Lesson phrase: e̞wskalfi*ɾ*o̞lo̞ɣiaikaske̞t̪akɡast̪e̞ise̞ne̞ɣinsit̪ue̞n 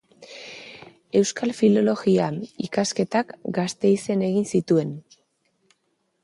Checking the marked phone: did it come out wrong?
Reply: yes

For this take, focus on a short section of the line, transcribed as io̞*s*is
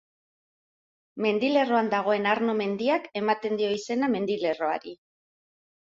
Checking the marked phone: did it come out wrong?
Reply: yes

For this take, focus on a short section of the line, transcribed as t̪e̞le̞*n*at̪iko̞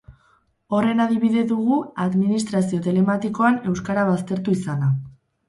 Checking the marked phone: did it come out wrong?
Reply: yes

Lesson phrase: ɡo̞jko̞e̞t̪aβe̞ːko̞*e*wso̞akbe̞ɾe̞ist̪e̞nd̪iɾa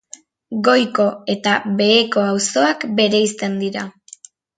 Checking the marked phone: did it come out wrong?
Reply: yes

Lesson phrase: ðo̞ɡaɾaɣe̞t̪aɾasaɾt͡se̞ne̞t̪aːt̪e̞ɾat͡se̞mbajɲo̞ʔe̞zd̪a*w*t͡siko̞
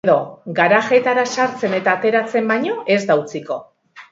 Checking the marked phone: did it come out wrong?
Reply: no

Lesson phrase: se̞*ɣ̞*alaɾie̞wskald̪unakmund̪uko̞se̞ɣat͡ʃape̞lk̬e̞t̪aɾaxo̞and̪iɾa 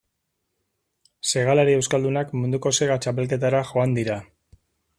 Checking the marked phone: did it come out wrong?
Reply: no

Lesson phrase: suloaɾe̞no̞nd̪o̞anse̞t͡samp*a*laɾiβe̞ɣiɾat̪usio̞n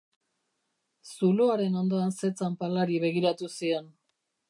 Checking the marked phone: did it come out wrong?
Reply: no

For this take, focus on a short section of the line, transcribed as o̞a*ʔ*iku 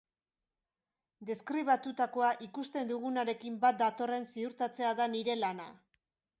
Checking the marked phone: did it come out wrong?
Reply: no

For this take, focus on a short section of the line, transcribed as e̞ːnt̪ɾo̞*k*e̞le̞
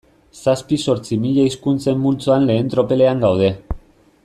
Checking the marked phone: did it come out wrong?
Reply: yes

